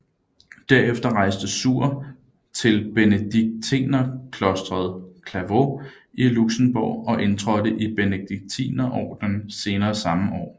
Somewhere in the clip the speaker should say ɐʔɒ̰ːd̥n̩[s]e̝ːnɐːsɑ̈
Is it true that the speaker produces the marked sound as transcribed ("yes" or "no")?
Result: yes